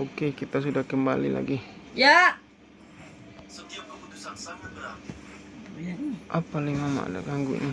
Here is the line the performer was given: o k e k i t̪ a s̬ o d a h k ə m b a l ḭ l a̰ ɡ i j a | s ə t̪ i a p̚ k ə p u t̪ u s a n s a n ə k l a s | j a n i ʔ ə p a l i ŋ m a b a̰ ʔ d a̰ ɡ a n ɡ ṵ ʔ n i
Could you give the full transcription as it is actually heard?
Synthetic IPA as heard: o k e k i t̪ a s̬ u d a h k ə m b a l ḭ l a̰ ɡ i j a | s ə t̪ i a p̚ k ə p u t̪ u s a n s a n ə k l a | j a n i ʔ a p a l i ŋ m a m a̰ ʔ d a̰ ɡ a ŋ ɡ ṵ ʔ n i